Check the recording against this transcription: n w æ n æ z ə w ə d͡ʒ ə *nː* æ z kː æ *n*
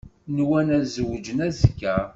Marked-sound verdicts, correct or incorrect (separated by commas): incorrect, incorrect